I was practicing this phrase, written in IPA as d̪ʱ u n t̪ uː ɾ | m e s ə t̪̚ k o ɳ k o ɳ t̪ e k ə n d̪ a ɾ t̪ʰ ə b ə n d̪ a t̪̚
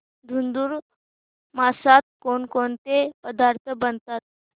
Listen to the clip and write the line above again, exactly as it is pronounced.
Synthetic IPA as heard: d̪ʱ u n d̪ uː ɾ | m a s a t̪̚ k o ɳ k o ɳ t̪ e p ə d̪ a ɾ t̪ʰ ə b ə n t̪ a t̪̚